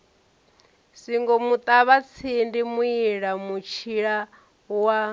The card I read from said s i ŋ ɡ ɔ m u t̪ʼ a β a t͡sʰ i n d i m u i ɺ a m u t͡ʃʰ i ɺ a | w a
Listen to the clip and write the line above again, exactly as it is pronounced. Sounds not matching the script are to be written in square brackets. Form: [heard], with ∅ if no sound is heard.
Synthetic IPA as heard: s i ŋ ɡ ɔ m u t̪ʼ a β a t͡sʰ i n d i m u i ɺ a m u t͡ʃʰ i ɺ a | w a